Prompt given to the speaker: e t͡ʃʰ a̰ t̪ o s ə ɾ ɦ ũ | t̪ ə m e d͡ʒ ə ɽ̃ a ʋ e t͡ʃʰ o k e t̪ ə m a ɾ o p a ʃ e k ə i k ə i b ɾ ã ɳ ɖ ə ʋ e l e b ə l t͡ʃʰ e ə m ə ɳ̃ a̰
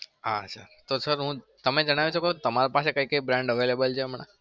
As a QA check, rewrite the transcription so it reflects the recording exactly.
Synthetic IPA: a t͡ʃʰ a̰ t̪ o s ə ɾ ɦ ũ | t̪ ə m e d͡ʒ ə ɽ̃ a ʋ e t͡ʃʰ o k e t̪ ə m a ɾ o p a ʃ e k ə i k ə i b ɾ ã ɳ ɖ ə ʋ e l e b ə l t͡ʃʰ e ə m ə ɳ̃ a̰